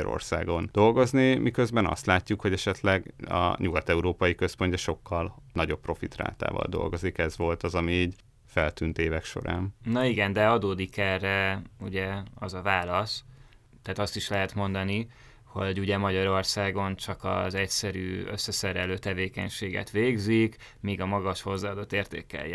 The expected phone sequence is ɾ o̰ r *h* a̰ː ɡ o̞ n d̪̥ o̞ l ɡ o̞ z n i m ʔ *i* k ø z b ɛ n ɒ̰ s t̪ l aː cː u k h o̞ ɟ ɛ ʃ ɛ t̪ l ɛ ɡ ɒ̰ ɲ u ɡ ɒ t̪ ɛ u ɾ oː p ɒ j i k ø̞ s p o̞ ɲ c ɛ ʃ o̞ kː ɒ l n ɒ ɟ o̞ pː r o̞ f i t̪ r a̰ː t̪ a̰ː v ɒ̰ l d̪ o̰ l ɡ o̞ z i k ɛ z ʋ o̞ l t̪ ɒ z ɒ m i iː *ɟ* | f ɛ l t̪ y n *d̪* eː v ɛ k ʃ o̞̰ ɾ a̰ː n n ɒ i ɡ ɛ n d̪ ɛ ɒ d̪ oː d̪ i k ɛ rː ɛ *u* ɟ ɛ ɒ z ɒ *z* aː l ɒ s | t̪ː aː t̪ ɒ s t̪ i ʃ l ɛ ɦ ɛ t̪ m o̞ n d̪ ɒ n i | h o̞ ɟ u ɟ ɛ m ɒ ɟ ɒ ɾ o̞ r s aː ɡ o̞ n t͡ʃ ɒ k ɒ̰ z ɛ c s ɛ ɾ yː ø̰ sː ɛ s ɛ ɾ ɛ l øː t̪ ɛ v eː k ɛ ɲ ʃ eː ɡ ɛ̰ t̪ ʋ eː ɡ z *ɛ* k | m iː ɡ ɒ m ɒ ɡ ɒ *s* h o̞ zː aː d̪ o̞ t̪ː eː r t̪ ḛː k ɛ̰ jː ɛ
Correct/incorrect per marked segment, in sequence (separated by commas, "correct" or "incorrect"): incorrect, correct, correct, incorrect, correct, incorrect, incorrect, incorrect